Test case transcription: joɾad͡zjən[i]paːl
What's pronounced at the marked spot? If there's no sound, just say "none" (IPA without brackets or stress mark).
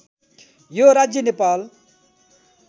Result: e